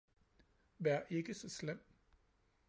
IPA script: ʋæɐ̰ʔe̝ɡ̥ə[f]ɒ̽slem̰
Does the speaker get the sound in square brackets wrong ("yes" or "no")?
yes